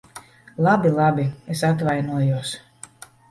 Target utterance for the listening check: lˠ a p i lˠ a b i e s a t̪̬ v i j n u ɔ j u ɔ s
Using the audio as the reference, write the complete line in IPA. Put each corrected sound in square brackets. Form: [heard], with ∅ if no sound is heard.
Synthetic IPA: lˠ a [b] i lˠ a b i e s a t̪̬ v [a] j n u ɔ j u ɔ s